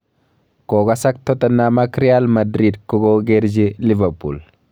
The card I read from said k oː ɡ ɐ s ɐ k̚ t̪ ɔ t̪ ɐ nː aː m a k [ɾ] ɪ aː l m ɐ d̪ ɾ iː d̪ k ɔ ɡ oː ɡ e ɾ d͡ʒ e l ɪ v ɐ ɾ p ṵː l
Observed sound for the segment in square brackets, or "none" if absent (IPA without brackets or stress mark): ɾ